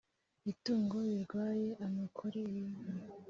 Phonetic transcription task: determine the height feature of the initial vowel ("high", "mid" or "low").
high